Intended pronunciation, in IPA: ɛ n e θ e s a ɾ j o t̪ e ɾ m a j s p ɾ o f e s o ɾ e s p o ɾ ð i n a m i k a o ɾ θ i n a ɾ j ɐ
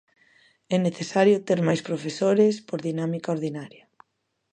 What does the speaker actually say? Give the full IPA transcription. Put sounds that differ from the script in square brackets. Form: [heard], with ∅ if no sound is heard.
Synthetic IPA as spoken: ɛ n e θ e s a ɾ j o t̪ e ɾ m a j s p ɾ o f e s o ɾ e s p o ɾ ð i n a m i k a o ɾ [ð] i n a ɾ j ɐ